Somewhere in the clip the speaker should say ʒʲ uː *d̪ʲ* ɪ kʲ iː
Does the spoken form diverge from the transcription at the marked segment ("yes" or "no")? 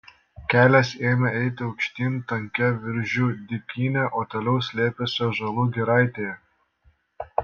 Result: no